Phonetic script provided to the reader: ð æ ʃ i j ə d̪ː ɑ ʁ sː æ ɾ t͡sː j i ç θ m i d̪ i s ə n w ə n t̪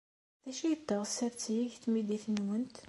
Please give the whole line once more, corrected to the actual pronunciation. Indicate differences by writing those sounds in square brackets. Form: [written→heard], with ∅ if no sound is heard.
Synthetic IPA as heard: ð æ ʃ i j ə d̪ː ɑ ʁ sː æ ɾ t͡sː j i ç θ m i d̪ i [s→θ] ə n w ə n t̪